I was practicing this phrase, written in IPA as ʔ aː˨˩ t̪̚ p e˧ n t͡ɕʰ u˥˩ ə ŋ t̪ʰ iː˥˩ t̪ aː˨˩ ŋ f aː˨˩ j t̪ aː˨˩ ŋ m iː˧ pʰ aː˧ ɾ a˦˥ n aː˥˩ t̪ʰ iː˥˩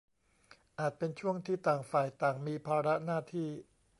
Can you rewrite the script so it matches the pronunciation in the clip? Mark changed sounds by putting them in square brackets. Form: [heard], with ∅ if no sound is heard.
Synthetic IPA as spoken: ʔ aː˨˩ t̪̚ p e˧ n t͡ɕʰ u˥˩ ə ŋ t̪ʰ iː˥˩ t̪ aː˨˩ ŋ f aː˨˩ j t̪ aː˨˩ ŋ m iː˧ pʰ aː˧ ɾ a˦˥ n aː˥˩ t̪ʰ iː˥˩

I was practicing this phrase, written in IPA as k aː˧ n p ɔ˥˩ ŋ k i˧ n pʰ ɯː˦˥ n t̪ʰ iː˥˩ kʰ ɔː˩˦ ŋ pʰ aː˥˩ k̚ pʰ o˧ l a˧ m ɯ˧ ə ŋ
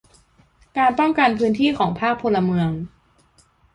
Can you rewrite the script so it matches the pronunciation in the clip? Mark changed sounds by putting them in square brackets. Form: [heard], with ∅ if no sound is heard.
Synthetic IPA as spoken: k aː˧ n p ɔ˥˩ ŋ k [a˧] n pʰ ɯː˦˥ n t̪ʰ iː˥˩ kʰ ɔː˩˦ ŋ pʰ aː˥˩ k̚ pʰ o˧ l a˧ m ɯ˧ ə ŋ

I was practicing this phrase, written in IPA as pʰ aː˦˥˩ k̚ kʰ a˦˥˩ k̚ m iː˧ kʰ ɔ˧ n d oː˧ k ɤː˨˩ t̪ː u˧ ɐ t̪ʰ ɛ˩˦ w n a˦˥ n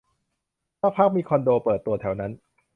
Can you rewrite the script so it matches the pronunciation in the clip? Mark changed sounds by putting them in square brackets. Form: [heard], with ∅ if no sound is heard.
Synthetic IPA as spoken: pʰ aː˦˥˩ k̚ [pʰ] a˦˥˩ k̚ m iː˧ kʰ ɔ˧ n d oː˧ [p] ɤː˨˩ t̪ː u˧ ɐ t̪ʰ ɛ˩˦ w n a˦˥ n

